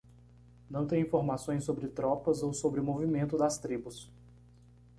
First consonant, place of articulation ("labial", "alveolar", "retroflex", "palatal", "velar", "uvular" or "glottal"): alveolar